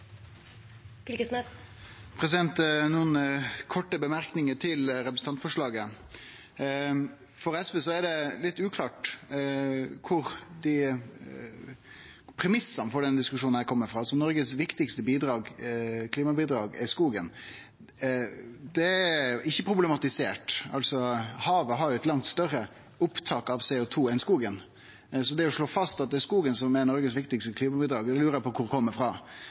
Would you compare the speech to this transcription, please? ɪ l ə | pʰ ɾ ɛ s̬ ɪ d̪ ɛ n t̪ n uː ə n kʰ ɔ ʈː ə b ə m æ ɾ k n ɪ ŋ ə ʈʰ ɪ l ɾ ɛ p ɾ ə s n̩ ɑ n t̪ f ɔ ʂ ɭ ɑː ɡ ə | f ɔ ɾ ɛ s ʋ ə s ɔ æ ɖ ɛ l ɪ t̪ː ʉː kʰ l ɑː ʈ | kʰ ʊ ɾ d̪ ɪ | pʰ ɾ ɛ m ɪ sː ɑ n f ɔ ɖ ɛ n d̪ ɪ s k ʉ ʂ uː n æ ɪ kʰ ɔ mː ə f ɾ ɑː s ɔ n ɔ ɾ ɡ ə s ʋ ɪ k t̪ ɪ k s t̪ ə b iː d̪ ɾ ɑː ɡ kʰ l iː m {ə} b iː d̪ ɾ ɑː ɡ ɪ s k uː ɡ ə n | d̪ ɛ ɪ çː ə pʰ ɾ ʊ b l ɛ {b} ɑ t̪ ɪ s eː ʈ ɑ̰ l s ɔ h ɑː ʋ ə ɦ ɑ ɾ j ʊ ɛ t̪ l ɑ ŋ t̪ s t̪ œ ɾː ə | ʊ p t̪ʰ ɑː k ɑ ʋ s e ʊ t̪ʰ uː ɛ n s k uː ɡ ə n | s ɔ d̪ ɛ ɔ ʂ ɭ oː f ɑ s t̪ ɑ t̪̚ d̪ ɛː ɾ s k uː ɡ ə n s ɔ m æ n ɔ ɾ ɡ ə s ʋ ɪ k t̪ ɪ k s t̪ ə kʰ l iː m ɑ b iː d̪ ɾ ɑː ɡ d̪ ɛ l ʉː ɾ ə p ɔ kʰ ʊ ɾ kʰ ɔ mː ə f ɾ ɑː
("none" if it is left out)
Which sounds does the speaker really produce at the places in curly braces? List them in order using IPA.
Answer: ɑ, m

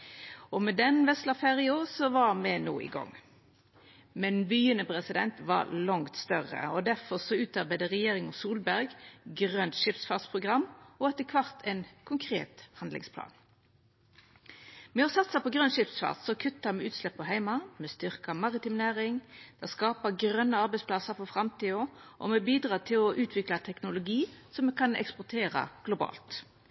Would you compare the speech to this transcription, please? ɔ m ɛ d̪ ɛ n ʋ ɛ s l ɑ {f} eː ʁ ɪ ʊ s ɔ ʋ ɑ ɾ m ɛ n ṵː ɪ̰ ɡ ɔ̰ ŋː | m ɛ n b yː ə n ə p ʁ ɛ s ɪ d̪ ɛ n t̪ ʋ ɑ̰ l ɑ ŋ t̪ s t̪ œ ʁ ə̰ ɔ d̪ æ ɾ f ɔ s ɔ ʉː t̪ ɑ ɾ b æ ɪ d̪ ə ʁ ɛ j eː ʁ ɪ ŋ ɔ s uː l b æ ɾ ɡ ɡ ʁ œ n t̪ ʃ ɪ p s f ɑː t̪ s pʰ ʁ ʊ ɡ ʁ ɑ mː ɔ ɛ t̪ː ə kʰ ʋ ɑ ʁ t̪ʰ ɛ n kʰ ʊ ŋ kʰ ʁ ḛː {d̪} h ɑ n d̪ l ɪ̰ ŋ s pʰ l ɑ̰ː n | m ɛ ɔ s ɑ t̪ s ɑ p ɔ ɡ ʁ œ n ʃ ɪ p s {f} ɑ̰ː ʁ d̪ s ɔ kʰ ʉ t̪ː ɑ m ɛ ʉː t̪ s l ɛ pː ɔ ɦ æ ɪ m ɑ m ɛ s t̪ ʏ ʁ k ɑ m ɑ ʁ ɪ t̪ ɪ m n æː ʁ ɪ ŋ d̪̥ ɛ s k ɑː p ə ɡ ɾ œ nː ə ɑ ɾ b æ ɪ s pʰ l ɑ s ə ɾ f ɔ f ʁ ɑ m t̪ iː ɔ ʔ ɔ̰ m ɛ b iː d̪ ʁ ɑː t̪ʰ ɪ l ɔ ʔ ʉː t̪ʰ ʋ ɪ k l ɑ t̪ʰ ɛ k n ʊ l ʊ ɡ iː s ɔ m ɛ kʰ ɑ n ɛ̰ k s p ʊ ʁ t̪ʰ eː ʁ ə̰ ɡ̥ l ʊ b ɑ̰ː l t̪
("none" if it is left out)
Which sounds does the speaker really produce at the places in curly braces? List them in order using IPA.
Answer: f, t̪, f

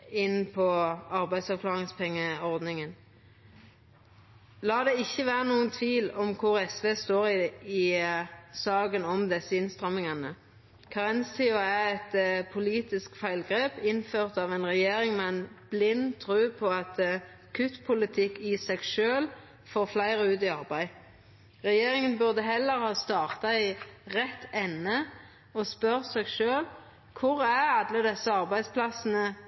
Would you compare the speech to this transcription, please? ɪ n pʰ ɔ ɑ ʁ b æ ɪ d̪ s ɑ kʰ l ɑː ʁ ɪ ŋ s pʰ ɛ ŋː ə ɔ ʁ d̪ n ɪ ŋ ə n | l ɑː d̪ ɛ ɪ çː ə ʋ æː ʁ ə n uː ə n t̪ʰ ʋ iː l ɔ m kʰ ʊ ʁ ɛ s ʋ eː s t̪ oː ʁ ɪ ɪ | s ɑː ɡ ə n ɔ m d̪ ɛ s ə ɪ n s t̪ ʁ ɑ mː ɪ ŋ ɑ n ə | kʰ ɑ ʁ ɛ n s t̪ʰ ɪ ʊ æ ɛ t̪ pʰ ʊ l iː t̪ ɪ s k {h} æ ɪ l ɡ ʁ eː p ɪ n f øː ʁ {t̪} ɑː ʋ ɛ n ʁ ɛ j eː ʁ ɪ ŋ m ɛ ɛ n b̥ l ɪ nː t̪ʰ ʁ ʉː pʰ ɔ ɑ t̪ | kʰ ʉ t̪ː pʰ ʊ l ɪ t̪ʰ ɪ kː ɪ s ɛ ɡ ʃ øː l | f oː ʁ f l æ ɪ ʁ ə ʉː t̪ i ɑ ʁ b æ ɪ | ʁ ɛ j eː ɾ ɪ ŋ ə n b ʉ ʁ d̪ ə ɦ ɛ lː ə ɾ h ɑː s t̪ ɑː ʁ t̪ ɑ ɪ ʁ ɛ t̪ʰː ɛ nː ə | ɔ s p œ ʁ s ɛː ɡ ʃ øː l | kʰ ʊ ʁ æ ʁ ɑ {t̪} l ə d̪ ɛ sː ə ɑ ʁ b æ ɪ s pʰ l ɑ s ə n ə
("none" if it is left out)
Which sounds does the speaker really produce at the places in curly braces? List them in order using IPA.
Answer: f, t̪, d̪

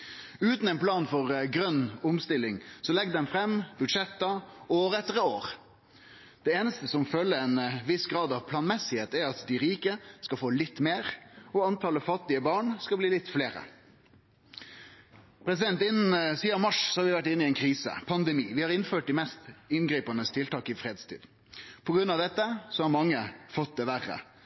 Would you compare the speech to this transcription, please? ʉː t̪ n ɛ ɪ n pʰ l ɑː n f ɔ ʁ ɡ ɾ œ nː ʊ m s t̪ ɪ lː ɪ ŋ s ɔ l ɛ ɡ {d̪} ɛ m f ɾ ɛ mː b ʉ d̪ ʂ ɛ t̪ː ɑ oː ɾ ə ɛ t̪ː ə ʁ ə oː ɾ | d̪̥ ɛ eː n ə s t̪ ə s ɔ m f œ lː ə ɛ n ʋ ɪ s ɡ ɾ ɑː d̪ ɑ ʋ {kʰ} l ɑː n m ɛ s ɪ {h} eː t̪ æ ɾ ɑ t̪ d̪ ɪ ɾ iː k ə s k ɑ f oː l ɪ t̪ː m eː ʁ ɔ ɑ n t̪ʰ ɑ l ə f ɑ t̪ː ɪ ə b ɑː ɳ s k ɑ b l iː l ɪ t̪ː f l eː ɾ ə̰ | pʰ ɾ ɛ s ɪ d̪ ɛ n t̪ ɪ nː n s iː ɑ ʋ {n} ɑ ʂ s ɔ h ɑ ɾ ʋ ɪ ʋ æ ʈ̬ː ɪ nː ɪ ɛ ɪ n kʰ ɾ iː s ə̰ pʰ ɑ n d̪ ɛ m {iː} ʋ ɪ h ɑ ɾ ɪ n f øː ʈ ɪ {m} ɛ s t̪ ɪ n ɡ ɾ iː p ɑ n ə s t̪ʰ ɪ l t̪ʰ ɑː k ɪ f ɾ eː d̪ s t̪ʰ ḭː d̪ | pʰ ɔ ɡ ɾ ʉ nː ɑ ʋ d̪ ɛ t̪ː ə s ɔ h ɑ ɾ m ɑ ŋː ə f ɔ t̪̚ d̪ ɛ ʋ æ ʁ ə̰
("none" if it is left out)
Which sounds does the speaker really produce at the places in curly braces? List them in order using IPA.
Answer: d̪, pʰ, h, m, iː, m

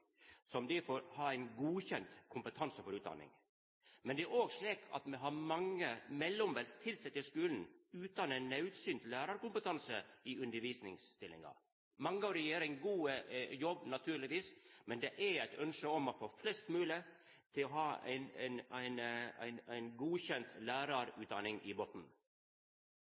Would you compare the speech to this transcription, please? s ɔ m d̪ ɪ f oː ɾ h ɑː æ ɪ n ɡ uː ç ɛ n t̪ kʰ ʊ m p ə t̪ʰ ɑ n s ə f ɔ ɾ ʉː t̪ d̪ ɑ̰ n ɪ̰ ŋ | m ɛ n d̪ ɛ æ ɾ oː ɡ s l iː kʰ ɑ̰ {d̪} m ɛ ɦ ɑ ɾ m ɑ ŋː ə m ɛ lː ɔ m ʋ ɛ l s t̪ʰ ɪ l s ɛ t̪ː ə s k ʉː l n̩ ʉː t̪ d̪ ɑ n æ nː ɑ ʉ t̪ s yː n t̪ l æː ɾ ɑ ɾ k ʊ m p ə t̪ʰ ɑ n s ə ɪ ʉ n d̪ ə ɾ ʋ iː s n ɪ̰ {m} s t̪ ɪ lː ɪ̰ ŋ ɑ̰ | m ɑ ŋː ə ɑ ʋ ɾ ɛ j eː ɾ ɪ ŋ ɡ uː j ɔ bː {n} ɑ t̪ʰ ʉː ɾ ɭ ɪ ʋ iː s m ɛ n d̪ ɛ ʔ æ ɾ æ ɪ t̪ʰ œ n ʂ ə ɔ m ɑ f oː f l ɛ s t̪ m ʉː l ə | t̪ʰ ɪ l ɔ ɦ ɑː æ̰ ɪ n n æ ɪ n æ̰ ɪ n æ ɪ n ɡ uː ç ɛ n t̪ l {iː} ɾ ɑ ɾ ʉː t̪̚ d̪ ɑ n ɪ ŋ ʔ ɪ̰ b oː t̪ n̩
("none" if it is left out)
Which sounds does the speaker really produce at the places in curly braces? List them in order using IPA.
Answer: t̪, ŋ, n, æː

